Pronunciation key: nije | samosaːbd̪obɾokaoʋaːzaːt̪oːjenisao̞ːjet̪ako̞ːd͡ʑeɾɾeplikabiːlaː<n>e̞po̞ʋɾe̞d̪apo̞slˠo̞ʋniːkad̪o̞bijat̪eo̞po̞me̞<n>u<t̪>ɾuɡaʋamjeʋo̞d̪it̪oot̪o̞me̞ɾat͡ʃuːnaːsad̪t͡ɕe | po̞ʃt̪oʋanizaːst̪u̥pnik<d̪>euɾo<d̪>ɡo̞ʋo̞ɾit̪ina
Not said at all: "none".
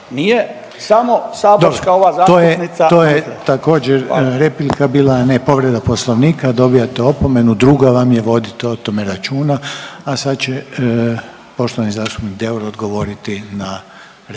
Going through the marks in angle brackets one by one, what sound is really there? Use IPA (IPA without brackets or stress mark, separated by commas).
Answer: n, n, d̪, d̪, d̪